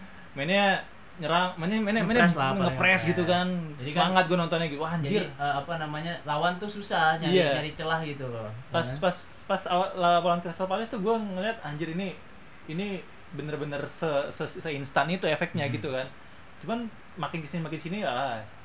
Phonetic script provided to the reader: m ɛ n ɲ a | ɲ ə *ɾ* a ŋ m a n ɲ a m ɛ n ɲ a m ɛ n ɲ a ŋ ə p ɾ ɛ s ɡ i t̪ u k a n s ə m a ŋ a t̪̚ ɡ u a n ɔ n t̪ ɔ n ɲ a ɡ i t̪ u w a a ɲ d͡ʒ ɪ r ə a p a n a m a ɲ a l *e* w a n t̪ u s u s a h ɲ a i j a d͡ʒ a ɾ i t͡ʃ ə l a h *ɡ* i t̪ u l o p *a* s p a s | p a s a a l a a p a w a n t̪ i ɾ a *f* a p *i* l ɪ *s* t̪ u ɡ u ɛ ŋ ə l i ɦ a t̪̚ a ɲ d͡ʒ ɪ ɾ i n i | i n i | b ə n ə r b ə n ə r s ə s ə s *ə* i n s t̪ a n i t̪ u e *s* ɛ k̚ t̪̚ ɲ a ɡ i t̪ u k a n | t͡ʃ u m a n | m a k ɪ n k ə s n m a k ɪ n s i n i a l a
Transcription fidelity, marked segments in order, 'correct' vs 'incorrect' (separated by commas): correct, incorrect, correct, correct, incorrect, incorrect, correct, correct, incorrect